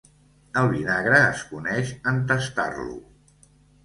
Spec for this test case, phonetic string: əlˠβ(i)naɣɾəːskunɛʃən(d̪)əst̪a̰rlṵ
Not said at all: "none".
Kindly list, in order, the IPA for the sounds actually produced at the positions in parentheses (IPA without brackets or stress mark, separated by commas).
i, t̪